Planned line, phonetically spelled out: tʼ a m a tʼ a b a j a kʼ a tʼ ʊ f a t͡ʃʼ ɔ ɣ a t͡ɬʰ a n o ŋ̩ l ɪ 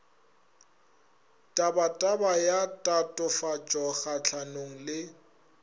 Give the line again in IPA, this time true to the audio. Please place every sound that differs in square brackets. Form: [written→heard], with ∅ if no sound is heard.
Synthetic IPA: tʼ a [m→b] a tʼ a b a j a [kʼ→tʼ] a tʼ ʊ f a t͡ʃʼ ɔ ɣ a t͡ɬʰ a n o ŋ̩ l ɪ